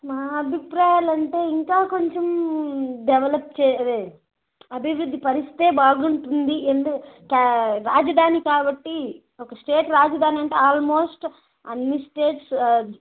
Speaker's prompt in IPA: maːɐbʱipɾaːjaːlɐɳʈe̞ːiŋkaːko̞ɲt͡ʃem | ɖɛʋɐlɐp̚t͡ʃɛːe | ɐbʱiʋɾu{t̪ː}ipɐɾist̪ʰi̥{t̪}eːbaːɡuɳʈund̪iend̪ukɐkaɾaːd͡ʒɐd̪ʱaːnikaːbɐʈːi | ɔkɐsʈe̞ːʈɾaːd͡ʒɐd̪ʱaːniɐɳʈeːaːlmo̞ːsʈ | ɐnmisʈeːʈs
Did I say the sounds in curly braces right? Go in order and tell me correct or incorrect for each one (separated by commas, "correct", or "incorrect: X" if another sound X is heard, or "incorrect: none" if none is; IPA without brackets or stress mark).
incorrect: d̪ː, correct